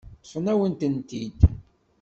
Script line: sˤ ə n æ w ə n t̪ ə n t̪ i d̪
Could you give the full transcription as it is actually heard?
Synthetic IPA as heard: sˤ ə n æ w ə n t̪ ə n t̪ i d̪